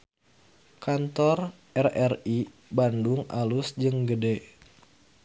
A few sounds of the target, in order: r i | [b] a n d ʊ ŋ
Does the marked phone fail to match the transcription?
no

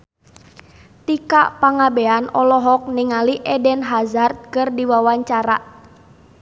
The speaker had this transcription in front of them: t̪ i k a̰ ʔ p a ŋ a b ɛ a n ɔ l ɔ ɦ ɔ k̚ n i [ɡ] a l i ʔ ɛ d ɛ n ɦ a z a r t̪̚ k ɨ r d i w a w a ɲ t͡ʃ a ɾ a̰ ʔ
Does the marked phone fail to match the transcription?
yes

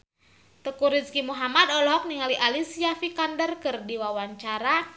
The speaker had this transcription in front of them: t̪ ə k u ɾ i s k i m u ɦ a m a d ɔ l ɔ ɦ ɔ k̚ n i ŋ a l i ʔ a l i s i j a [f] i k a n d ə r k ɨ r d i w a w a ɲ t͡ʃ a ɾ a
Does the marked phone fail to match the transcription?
no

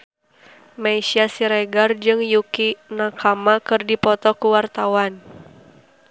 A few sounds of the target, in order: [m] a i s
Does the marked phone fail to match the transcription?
no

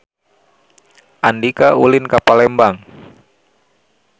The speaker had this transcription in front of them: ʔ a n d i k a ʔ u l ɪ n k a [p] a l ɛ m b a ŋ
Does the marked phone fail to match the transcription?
no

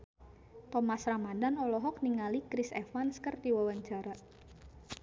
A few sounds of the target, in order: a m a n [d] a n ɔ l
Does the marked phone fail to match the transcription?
no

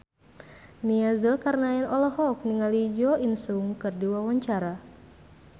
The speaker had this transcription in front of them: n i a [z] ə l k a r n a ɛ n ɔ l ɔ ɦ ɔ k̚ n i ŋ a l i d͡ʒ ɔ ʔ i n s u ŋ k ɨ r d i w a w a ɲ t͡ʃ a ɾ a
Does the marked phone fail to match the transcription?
no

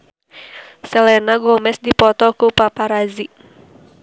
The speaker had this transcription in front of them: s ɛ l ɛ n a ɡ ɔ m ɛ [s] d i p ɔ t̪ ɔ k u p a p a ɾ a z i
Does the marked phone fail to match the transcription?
no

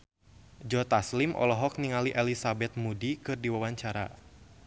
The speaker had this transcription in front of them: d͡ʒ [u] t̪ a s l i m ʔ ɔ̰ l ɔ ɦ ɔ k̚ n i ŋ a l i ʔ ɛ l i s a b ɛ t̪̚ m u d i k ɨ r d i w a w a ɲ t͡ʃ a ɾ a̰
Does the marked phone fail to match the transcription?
yes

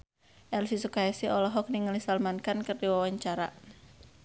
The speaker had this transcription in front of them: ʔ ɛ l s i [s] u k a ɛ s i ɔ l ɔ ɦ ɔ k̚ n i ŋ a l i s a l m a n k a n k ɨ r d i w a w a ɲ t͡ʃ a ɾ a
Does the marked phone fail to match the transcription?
no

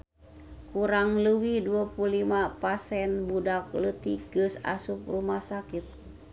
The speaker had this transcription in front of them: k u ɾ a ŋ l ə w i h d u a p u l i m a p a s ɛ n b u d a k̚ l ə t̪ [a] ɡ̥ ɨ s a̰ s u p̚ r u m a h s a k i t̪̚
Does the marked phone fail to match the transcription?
yes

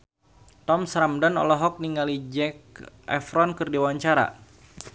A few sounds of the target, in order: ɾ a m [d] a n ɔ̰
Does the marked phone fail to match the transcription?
no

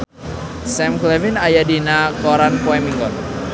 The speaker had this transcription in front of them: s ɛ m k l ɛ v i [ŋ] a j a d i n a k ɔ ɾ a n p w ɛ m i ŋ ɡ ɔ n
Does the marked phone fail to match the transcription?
yes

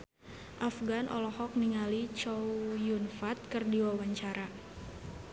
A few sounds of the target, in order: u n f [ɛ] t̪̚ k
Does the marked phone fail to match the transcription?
yes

